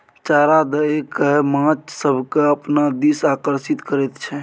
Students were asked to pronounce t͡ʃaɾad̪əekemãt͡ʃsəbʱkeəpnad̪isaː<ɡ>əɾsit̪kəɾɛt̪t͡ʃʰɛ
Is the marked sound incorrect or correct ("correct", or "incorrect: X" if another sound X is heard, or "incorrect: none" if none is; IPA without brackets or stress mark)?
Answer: incorrect: k